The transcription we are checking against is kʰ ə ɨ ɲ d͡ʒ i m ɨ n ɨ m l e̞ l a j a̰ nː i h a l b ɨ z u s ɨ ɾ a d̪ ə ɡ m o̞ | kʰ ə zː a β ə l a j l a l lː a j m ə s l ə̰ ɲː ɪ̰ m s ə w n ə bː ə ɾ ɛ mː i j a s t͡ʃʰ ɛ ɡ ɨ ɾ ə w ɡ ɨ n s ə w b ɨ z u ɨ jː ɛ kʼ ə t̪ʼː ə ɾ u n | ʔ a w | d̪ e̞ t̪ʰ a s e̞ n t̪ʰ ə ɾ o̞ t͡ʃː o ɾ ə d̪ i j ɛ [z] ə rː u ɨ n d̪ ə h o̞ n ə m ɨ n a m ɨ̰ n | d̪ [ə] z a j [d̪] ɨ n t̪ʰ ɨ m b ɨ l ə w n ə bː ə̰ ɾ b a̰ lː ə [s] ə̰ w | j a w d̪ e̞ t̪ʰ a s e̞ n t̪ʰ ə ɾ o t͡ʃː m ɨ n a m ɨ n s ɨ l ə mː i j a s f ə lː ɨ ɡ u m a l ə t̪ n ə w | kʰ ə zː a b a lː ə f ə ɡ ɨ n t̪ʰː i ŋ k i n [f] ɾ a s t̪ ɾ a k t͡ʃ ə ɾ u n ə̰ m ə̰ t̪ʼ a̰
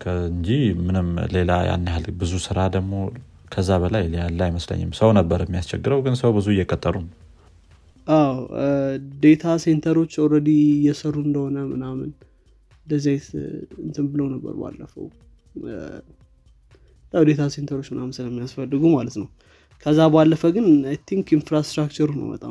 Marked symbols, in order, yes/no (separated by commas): no, yes, no, no, yes